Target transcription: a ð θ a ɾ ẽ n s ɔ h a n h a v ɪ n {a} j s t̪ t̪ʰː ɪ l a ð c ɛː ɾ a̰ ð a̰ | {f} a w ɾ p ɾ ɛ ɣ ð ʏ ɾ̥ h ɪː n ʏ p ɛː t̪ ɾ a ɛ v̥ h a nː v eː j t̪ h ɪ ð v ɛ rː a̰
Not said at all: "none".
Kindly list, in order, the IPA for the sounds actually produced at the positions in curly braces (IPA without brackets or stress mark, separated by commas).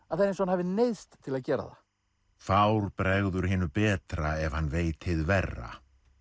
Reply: e, f